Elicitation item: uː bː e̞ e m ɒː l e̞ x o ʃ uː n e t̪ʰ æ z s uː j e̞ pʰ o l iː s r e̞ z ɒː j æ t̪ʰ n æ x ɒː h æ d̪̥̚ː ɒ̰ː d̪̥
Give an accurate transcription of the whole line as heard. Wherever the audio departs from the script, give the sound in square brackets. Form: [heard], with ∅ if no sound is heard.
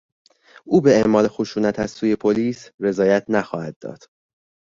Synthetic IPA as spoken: uː [b] e̞ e m ɒː l e̞ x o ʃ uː n [æ] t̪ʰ æ z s uː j e̞ pʰ o l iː s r e̞ z ɒː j æ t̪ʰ n æ x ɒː h æ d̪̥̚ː ɒ̰ː d̪̥

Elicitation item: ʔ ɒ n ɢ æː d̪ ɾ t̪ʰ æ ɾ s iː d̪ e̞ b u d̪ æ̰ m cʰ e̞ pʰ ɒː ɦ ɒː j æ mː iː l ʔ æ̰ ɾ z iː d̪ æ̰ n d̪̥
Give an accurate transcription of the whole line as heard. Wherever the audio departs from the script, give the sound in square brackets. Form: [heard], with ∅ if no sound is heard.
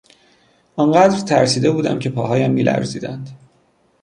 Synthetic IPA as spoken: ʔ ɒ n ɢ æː d̪ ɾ t̪ʰ æ ɾ s iː d̪ e̞ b [uː] d̪ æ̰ m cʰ e̞ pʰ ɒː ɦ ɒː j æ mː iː l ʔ æ̰ ɾ z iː d̪ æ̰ n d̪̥

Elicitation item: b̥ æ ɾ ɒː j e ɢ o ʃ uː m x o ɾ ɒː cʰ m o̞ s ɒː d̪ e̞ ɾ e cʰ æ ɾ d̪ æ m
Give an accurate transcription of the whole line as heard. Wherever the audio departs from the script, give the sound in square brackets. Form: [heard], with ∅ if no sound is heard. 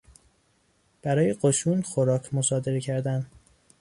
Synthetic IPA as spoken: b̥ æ ɾ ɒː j e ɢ o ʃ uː [n] x o ɾ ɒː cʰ m o̞ s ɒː d̪ e̞ ɾ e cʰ æ ɾ d̪ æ [n]

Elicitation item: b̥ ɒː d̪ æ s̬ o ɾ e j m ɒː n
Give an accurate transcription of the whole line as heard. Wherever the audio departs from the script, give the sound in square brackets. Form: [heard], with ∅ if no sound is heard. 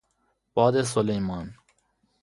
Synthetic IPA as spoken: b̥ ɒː d̪ [e] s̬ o [l] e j m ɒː n

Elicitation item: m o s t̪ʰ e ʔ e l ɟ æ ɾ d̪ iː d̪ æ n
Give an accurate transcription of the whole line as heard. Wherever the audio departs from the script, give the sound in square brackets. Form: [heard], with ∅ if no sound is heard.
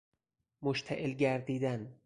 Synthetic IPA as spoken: m o [ʃ] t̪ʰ [æ] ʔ e l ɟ æ ɾ d̪ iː d̪ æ n

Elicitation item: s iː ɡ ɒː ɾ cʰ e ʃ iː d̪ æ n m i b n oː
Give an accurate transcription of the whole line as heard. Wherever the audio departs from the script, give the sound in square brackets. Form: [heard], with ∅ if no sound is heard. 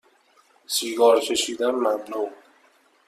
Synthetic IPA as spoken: s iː ɡ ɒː ɾ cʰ e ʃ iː d̪ æ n m [æ] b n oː

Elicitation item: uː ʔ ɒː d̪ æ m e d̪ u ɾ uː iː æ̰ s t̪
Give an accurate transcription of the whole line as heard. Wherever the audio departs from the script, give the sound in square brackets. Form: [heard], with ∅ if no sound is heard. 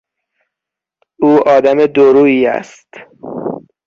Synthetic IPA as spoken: uː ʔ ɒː d̪ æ m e d̪ [o] ɾ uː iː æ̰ s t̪

